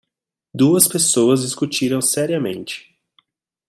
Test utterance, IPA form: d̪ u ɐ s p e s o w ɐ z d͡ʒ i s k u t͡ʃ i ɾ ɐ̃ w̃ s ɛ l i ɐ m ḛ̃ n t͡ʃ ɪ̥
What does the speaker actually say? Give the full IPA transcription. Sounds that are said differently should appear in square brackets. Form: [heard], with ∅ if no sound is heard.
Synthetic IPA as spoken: d̪ u ɐ s p e s o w ɐ z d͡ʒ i s k u t͡ʃ i ɾ ɐ̃ w̃ s ɛ [ɾ] i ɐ m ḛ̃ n t͡ʃ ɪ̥